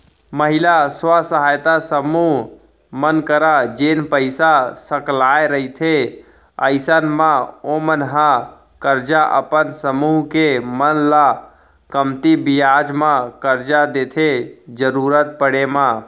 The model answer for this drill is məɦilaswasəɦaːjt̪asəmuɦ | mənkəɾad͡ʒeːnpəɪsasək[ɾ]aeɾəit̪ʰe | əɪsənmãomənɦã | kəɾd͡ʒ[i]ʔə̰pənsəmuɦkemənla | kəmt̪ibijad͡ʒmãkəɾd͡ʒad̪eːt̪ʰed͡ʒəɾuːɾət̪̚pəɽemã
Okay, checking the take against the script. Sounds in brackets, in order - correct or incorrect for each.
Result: incorrect: l, incorrect: a

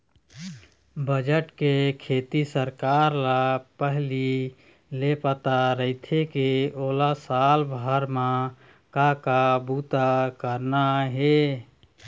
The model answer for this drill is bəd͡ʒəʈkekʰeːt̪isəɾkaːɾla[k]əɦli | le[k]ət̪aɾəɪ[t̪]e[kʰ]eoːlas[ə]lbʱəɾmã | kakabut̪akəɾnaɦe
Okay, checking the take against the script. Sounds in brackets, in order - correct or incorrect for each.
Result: incorrect: p, incorrect: p, incorrect: t̪ʰ, incorrect: k, incorrect: a

